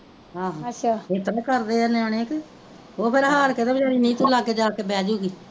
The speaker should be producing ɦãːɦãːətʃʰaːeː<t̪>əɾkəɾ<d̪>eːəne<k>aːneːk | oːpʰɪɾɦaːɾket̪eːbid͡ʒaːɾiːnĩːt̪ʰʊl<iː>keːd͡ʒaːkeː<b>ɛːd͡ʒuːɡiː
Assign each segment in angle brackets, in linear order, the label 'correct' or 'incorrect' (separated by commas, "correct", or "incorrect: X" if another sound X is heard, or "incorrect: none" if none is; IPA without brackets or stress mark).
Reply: correct, correct, incorrect: none, incorrect: aː, correct